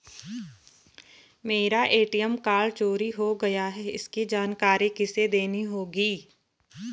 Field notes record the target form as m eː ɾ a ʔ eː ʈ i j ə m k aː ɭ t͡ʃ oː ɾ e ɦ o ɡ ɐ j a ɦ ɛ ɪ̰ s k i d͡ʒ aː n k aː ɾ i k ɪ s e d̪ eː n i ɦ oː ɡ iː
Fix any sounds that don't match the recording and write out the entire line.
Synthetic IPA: m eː ɾ a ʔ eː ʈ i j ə m k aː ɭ t͡ʃ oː ɾ i ɦ o ɡ ɐ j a ɦ ɛ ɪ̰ s k i d͡ʒ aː n k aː ɾ i k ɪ s e d̪ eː n i ɦ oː ɡ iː